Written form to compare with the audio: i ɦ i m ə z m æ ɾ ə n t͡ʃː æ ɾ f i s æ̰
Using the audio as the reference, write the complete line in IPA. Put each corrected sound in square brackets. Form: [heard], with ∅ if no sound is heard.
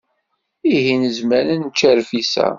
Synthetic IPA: i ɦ i [n] ə z m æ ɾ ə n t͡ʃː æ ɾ f i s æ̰